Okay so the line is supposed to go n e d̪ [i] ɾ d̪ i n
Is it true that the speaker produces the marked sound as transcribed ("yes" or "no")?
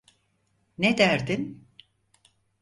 no